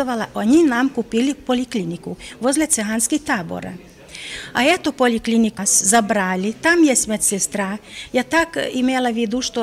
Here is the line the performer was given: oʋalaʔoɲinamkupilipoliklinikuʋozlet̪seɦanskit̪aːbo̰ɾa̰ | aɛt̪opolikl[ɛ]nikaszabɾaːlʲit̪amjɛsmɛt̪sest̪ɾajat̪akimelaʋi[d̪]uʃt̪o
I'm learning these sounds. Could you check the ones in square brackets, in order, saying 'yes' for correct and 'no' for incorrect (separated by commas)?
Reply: no, yes